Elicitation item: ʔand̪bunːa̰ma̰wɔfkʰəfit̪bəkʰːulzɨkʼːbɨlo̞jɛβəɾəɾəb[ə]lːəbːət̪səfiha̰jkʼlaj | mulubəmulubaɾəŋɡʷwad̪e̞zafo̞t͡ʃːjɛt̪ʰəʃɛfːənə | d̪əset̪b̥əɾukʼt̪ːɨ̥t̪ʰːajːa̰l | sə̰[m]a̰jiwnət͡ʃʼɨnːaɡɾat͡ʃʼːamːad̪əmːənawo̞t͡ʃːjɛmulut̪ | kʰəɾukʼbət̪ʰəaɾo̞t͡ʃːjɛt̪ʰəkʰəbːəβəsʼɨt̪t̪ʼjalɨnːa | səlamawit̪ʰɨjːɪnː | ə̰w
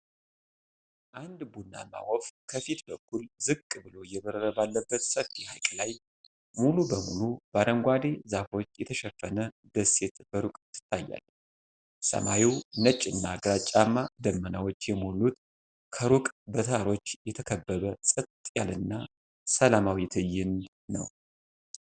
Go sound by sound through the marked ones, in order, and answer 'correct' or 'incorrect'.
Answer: incorrect, correct

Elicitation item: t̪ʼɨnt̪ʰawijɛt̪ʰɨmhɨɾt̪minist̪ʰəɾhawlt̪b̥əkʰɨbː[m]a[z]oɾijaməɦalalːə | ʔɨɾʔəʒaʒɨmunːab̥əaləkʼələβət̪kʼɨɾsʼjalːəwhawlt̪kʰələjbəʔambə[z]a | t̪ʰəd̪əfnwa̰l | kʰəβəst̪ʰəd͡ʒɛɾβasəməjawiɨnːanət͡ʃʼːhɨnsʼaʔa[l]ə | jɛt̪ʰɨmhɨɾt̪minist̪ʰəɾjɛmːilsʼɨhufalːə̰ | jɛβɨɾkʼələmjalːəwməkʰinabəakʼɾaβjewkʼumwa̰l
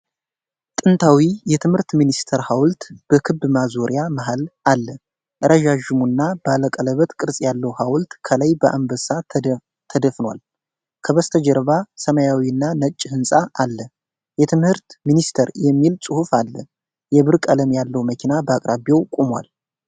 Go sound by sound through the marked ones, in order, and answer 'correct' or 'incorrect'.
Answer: correct, correct, incorrect, incorrect

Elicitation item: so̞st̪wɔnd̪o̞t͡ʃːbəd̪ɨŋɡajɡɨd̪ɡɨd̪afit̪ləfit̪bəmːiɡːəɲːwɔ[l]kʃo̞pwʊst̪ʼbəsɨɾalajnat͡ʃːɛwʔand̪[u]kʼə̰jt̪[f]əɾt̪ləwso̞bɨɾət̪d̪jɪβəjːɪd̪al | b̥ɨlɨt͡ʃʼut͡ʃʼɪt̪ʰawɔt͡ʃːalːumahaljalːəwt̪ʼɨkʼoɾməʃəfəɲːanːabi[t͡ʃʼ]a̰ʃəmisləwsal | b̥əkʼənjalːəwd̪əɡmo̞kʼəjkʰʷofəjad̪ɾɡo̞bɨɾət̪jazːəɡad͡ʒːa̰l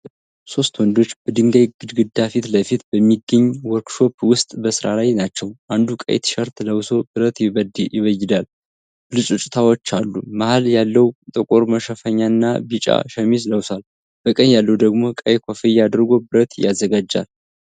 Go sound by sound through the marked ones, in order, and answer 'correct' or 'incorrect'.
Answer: incorrect, correct, incorrect, correct

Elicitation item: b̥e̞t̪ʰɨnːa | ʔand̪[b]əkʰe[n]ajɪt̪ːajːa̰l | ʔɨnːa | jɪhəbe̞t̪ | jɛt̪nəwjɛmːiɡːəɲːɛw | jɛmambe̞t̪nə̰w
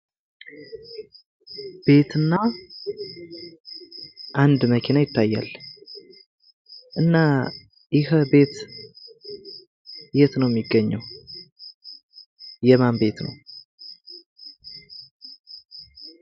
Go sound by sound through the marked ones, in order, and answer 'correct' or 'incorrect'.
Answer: incorrect, correct

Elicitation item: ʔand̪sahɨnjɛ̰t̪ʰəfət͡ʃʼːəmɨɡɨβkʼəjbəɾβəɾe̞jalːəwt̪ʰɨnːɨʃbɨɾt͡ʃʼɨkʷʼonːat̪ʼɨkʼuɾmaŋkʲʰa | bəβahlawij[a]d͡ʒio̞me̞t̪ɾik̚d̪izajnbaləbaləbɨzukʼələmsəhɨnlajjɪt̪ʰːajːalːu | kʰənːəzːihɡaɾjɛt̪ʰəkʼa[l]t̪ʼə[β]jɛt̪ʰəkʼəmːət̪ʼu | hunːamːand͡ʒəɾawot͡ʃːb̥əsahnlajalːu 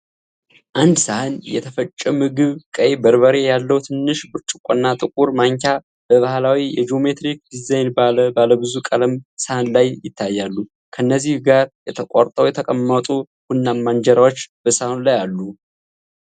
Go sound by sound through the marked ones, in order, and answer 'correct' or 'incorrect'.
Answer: incorrect, incorrect, incorrect

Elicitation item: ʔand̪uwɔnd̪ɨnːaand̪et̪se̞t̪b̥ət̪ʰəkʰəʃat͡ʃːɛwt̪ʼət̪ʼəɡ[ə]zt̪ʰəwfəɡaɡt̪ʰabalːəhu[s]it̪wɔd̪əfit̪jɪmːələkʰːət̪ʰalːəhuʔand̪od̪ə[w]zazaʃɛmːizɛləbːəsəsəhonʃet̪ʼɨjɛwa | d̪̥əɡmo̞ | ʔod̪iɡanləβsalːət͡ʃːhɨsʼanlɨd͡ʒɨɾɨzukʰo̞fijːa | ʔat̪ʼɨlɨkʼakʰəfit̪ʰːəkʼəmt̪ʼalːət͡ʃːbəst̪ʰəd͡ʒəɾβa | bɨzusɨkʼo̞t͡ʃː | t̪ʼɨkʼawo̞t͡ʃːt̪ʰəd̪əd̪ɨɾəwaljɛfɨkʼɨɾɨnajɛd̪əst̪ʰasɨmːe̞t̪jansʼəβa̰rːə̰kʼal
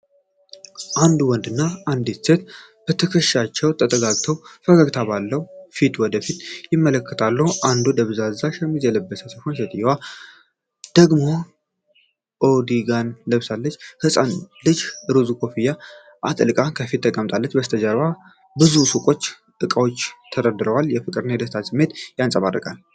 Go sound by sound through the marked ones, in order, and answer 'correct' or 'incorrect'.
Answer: incorrect, incorrect, incorrect

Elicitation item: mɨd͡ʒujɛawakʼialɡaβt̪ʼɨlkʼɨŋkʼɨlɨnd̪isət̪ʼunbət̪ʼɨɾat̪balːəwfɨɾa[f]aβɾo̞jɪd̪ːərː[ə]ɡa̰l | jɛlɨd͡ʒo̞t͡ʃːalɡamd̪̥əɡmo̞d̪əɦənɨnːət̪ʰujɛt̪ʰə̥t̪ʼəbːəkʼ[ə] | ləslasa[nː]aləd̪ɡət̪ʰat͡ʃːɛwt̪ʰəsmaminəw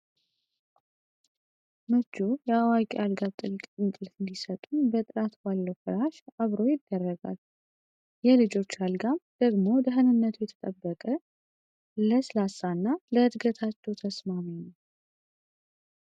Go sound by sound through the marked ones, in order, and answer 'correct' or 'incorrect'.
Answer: incorrect, correct, correct, correct

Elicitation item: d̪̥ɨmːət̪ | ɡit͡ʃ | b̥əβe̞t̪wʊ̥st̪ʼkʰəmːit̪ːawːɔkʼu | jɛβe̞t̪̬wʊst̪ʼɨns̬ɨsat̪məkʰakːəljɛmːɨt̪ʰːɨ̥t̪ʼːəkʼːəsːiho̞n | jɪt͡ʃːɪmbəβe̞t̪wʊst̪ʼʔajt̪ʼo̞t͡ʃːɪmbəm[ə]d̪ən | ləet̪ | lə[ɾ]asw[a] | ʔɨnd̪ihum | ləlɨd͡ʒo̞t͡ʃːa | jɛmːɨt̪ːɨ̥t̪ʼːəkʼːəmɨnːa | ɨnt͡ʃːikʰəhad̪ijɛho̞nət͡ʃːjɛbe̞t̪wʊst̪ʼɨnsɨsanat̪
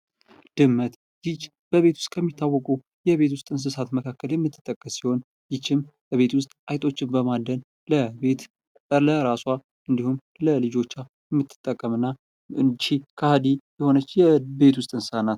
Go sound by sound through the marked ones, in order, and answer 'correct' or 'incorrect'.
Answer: incorrect, correct, correct

